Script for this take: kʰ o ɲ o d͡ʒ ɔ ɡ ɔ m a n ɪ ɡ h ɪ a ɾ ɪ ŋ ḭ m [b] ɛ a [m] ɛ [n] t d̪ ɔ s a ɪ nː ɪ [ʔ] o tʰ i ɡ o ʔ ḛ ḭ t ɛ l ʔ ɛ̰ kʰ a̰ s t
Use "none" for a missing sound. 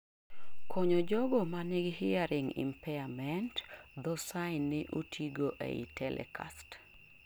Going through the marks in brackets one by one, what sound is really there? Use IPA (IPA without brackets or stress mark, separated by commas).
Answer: p, m, n, ʔ